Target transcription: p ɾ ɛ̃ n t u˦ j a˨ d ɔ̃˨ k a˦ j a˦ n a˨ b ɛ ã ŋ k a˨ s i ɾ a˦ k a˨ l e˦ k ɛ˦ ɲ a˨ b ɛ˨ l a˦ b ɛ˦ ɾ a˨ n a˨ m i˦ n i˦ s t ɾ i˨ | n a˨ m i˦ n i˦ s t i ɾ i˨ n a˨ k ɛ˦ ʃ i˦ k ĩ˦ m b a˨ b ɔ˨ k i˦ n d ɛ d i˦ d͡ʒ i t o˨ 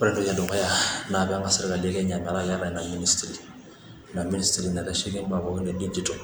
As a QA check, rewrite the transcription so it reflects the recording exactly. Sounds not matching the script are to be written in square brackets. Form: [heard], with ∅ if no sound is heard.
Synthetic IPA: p ɾ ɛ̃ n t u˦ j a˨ d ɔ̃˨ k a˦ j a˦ n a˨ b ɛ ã ŋ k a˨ s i ɾ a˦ k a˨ l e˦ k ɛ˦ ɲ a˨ [m] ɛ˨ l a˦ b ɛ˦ ɾ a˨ n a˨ m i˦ n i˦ s t ɾ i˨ | n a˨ m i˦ n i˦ s t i ɾ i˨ n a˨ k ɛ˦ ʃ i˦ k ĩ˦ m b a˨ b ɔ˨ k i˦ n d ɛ d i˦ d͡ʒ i t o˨

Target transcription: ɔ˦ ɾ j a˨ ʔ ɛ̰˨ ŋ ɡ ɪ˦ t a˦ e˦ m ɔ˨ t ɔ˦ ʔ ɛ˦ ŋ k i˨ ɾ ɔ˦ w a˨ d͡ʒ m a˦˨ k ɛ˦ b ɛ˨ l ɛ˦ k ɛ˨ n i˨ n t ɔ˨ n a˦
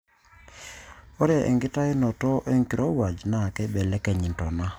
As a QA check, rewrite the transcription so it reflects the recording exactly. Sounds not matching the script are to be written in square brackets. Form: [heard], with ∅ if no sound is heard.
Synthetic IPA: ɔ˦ ɾ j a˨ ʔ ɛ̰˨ ŋ ɡ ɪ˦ t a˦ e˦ [n] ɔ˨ t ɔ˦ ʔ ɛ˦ ŋ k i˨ ɾ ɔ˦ w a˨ d͡ʒ [n] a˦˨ k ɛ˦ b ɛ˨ l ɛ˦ k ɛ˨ [ɲ] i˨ n t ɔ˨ n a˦

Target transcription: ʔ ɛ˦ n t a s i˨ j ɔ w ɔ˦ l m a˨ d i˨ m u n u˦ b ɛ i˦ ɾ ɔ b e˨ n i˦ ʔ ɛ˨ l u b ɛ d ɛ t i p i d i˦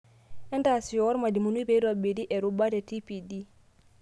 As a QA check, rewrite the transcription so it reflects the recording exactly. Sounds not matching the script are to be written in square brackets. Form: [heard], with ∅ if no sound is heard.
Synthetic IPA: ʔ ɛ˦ n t a s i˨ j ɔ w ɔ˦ [ɾ] m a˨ d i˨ m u n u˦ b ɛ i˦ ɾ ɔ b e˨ [d] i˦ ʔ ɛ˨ [ɾ] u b [a] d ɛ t i p i d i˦

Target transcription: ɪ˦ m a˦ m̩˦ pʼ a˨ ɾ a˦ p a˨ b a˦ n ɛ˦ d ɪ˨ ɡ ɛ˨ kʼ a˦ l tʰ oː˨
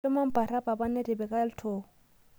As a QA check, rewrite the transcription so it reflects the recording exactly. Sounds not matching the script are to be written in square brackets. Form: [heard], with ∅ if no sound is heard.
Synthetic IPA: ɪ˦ m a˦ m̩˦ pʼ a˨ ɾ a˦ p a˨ b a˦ n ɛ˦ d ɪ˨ [b] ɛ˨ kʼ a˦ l tʰ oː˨

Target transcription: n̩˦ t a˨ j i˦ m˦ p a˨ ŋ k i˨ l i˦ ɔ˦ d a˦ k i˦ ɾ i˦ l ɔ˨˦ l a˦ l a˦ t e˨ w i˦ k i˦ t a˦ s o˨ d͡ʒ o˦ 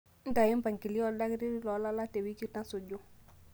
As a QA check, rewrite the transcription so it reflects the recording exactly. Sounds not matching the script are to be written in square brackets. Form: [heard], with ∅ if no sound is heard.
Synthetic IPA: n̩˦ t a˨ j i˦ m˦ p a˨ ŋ k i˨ l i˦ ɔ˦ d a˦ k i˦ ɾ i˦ l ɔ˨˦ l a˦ l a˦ t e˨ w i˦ k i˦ t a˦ s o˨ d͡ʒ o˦

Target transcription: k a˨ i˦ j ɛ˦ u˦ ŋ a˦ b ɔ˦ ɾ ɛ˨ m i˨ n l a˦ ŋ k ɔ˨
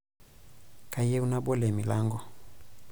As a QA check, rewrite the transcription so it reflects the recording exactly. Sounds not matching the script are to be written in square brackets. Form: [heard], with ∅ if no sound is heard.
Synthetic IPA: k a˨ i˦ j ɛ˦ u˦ [n] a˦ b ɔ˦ [l] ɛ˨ m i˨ [∅] l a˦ ŋ [ɡ] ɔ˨

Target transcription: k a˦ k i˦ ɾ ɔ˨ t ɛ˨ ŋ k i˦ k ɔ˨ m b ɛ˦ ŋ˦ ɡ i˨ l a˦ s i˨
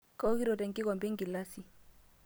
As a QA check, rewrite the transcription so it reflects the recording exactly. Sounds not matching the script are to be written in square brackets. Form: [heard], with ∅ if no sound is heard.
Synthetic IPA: k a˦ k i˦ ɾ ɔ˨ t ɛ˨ ŋ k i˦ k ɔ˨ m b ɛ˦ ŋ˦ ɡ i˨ l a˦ s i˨

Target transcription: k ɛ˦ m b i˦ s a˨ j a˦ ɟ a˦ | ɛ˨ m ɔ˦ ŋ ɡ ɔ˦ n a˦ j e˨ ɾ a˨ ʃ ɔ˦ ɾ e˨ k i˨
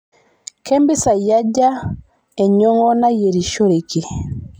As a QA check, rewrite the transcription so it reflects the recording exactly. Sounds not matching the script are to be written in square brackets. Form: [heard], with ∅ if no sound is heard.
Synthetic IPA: k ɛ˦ m b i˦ s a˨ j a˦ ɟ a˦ | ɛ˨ [ɲ] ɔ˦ ŋ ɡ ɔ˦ n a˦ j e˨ ɾ [i˨] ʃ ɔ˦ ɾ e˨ k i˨

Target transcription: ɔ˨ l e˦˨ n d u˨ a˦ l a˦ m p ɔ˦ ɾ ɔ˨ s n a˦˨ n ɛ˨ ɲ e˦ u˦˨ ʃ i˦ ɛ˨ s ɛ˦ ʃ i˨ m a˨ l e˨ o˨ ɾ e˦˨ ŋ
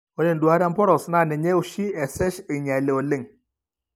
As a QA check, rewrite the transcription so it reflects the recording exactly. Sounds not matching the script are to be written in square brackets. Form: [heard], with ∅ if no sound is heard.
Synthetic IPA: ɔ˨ l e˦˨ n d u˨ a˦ [ɾ] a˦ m p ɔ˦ ɾ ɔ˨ s n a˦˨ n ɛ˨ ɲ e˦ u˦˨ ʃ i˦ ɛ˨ s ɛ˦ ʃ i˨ [ɲ] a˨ l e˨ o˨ [l] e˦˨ ŋ

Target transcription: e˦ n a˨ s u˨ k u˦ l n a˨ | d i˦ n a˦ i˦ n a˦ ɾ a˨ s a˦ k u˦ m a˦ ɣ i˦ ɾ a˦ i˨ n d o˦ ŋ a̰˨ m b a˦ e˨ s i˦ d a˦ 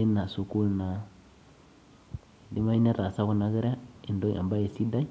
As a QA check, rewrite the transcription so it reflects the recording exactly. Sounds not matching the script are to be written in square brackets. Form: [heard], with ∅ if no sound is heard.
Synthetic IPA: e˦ n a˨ s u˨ k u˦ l n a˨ | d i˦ [m] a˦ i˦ n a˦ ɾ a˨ s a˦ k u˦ [n] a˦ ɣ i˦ ɾ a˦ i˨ n d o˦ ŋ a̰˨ m b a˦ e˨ s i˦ d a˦

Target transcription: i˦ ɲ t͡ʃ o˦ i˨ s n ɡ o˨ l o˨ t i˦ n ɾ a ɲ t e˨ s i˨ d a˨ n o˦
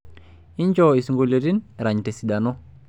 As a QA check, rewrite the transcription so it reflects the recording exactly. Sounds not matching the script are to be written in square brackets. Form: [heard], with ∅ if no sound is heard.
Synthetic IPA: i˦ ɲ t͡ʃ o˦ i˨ s [ŋ] ɡ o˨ l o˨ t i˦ n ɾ a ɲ t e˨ s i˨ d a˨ n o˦

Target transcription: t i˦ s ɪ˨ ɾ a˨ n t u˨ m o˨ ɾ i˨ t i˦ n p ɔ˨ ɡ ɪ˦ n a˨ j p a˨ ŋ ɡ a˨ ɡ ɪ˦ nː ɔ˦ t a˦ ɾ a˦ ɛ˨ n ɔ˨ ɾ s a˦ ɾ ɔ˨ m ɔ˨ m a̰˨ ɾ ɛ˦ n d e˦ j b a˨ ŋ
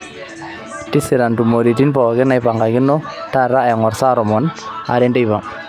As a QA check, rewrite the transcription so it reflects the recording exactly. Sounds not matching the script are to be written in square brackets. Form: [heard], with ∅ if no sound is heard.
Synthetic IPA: t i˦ s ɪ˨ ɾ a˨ n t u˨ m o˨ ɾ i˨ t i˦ n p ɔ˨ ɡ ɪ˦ n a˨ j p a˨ ŋ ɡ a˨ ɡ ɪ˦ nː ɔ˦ t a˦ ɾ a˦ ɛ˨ [ŋ] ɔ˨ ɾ s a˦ ɾ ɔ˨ m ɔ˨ [n] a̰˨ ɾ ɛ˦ n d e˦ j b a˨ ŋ

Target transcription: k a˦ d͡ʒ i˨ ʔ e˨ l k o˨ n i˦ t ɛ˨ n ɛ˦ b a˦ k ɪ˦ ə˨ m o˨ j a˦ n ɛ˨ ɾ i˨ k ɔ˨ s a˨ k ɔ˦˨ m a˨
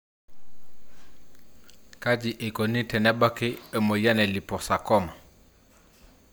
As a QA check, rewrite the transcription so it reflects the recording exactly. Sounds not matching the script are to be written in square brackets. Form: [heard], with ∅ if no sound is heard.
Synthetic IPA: k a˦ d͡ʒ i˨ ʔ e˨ [∅] k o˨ n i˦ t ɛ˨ n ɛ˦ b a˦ k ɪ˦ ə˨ m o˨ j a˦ n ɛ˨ [l] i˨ [p] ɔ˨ s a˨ k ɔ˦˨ m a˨

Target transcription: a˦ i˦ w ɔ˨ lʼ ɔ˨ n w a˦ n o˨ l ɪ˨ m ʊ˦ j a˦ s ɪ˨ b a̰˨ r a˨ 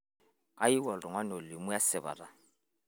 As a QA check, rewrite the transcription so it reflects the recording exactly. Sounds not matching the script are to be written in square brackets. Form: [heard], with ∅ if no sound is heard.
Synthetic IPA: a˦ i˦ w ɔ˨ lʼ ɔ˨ [ŋ] w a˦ n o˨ l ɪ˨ m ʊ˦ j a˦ s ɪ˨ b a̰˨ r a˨

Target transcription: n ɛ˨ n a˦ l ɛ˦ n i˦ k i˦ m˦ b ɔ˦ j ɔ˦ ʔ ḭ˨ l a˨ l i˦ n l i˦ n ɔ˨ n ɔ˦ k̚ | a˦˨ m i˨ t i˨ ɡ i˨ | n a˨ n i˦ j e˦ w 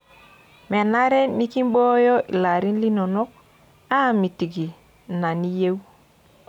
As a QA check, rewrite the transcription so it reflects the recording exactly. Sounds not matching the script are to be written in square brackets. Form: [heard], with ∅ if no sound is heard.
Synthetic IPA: [m] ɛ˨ n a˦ [ɾ] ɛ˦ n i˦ k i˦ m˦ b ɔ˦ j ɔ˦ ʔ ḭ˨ l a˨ [ɾ] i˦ n l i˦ n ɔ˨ n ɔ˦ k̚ | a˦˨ m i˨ t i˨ ɡ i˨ | n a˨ n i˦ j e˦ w

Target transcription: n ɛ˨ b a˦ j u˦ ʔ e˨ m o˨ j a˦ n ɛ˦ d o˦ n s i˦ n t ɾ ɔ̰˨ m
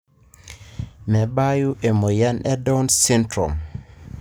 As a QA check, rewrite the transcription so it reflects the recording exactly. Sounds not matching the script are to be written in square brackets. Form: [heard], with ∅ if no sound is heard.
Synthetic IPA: [m] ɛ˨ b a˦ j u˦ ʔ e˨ m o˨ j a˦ n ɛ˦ d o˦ n s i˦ n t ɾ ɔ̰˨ m

